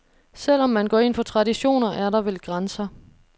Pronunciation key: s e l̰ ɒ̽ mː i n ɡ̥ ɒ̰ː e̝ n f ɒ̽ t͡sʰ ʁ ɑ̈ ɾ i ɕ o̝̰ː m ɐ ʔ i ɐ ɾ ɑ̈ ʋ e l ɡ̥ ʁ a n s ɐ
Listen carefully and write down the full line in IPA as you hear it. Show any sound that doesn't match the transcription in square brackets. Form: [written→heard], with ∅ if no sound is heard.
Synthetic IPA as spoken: s e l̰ ɒ̽ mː [i→æ] n ɡ̥ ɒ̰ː e̝ n f ɒ̽ t͡sʰ ʁ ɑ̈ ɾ i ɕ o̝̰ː [m→n] ɐ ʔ [i→æ] ɐ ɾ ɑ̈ ʋ e l ɡ̥ ʁ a n s ɐ